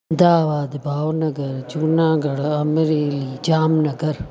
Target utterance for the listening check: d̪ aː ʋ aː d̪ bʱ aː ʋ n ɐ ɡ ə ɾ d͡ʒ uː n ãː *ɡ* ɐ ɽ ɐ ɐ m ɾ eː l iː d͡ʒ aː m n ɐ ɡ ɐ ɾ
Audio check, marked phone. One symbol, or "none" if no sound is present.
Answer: ɡ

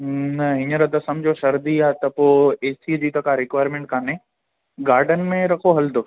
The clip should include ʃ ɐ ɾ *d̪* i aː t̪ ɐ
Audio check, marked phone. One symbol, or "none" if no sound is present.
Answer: d̪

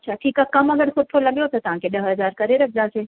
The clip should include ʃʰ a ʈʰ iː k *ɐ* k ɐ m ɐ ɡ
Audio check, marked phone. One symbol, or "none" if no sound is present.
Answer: a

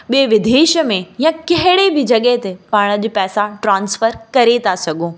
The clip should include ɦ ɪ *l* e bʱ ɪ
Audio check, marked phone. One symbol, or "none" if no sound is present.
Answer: ɽ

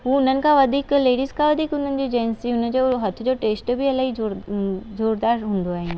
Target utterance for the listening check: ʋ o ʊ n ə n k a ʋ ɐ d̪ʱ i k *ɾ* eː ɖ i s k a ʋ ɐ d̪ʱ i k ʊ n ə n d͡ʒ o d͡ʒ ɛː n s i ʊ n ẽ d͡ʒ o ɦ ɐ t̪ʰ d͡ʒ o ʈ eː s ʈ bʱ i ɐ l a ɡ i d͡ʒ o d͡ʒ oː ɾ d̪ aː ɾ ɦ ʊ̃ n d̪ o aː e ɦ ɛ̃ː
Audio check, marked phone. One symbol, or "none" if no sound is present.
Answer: l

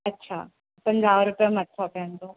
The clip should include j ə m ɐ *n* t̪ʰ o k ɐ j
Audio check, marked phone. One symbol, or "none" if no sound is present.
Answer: none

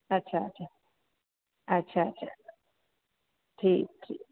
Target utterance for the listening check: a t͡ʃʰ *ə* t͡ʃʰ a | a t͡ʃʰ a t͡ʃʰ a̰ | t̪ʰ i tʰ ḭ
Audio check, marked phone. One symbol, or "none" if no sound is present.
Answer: a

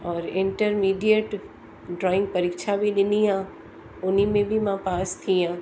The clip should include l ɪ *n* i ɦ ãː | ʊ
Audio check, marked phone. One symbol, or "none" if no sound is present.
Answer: n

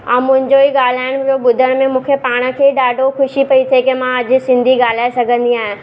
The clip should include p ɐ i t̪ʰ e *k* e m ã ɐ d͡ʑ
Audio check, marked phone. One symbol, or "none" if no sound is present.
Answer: k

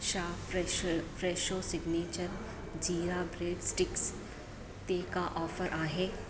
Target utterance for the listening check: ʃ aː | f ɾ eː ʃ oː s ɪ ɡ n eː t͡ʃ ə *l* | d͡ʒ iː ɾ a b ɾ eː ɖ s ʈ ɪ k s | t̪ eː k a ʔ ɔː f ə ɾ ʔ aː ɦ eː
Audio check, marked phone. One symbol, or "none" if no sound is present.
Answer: ɾ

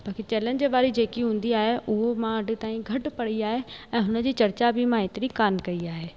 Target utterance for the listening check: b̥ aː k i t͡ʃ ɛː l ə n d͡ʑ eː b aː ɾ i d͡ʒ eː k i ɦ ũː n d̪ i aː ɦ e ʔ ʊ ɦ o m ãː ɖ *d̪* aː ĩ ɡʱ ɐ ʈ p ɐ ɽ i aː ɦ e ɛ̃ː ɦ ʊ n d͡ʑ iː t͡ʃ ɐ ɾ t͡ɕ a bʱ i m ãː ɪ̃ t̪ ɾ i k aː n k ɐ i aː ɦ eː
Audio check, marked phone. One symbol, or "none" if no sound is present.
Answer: t̪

